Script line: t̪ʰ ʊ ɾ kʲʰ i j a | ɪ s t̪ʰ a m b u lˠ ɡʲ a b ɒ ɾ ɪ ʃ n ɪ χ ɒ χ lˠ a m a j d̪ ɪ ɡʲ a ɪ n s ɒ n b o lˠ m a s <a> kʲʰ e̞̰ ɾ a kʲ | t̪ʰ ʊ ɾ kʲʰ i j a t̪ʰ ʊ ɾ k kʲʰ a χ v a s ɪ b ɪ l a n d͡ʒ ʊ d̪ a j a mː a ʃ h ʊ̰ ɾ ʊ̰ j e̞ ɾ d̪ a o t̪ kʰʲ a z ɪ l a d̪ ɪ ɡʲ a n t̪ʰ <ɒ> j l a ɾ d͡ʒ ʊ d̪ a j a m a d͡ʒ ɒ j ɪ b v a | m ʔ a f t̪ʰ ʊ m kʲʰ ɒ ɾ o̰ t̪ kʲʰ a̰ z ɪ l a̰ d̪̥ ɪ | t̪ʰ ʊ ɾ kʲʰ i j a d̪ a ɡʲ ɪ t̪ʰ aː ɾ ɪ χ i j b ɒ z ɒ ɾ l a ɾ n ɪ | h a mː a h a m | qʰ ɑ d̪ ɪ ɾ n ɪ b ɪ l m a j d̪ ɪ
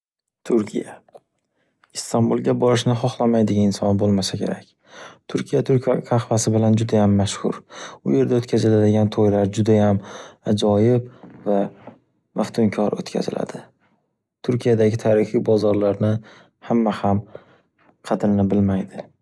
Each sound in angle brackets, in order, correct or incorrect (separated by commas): correct, incorrect